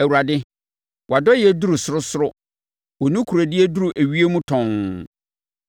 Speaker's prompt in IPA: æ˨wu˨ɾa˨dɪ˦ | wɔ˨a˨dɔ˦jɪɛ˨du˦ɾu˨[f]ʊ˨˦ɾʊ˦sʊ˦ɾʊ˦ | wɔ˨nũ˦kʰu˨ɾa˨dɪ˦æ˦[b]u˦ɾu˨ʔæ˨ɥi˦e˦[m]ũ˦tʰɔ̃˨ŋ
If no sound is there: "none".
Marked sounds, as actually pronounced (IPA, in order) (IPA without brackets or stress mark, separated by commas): s, d, m